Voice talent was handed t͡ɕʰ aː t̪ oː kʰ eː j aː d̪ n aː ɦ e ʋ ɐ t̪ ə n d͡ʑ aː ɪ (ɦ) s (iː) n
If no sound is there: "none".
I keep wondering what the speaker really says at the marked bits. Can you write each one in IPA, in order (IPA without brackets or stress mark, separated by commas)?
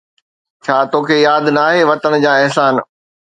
ɦ, aː